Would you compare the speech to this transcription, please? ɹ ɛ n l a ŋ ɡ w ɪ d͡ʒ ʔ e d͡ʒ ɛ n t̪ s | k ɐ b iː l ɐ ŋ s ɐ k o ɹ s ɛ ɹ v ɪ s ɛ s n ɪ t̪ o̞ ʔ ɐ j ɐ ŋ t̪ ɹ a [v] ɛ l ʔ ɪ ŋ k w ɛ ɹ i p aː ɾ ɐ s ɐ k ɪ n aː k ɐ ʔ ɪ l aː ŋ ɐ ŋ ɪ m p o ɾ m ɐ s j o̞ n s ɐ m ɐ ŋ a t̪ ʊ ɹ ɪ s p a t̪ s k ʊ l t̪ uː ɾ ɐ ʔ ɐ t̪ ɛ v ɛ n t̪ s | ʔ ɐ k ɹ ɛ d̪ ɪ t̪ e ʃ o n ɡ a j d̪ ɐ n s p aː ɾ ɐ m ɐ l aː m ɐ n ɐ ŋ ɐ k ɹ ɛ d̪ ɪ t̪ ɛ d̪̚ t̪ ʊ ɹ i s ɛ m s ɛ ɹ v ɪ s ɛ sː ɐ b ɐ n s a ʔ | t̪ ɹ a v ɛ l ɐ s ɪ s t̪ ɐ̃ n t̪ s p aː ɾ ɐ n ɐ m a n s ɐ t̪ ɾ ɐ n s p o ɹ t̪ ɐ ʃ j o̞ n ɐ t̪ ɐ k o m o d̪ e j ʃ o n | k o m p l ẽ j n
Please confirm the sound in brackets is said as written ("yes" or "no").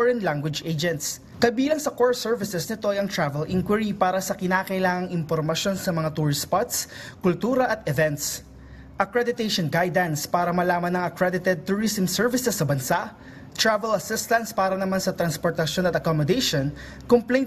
yes